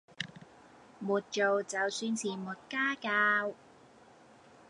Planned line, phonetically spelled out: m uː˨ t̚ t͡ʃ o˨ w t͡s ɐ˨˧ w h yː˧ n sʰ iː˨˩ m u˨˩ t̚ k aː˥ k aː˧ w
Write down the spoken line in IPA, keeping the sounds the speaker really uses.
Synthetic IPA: m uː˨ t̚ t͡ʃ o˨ w t͡s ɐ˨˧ w s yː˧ n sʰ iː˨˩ m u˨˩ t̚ k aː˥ k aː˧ w